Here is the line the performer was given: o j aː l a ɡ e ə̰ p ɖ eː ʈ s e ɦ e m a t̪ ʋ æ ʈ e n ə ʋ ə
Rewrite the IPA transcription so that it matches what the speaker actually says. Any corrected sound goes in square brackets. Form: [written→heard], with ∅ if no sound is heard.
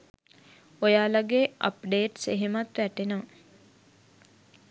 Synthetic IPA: o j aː l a ɡ e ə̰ p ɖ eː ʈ s e ɦ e m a t̪ ʋ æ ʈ e n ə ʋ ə